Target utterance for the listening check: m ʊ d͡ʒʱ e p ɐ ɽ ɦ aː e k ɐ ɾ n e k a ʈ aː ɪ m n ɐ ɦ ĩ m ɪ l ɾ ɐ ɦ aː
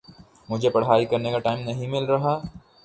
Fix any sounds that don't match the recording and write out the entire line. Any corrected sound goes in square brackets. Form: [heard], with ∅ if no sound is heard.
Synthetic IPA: m ʊ d͡ʒʱ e p ɐ ɽ ɦ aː [i] k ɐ ɾ n e k a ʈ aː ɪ m n ɐ ɦ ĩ m ɪ l ɾ ɐ ɦ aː